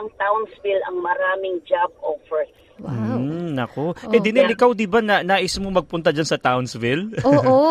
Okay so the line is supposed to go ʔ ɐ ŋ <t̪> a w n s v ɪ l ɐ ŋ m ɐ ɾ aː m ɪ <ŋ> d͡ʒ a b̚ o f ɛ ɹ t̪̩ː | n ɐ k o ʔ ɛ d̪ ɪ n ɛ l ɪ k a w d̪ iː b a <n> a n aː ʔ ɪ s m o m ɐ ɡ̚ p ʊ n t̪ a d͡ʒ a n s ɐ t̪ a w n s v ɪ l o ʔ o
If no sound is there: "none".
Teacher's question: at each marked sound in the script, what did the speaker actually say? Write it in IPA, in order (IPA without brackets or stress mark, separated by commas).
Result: t̪, ŋ, n